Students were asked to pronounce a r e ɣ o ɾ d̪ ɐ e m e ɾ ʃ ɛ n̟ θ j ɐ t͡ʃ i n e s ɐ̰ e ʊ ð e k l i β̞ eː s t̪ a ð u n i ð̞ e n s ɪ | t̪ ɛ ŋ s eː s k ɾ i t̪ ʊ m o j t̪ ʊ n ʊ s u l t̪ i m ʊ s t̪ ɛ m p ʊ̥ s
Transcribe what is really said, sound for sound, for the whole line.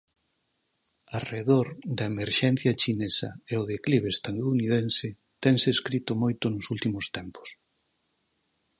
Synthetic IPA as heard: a r e ð o ɾ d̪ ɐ e m e ɾ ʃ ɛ n̟ θ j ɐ t͡ʃ i n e s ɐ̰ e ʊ ð e k l i β̞ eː s t̪ a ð u n i ð̞ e n s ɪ | t̪ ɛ ŋ s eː s k ɾ i t̪ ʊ m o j t̪ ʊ n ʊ s u l t̪ i m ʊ s t̪ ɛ m p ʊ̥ s